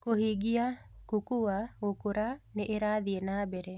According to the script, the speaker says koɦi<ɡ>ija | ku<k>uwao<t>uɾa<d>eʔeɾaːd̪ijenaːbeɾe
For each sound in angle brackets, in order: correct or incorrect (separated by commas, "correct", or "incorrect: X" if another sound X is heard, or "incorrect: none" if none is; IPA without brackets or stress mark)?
correct, correct, incorrect: k, incorrect: n